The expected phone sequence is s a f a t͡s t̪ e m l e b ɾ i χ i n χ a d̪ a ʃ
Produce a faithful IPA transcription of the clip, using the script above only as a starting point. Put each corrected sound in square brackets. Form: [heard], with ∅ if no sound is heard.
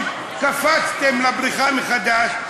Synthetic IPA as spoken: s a f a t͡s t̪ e m l [a] b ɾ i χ [a] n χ a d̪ a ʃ